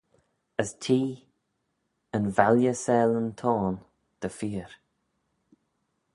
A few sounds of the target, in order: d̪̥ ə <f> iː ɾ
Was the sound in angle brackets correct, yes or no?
yes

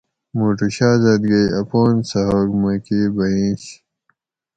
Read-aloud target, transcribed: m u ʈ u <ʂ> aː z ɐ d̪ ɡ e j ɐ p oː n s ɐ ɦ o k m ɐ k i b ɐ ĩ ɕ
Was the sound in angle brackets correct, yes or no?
no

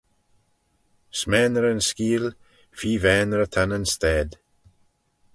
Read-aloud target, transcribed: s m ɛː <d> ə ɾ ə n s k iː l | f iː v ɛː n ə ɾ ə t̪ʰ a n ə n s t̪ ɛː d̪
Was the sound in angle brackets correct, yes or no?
no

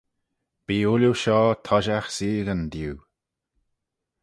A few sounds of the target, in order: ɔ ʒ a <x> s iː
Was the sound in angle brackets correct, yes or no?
yes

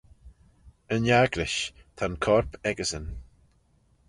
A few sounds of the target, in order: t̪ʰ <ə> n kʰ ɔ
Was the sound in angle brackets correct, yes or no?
no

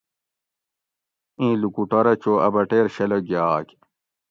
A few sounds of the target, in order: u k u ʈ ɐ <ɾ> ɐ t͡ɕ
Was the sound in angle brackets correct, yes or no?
yes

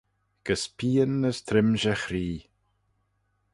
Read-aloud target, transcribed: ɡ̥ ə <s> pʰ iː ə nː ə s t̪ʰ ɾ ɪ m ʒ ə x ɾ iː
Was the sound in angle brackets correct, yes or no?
yes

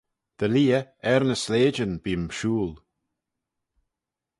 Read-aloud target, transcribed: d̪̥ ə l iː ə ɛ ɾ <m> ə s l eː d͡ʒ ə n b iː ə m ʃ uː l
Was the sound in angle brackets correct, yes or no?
no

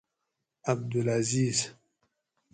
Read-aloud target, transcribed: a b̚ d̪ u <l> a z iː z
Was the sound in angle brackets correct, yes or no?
yes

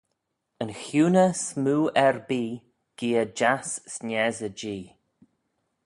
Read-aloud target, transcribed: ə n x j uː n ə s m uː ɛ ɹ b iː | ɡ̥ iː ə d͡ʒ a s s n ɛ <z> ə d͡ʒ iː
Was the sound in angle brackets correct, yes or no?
yes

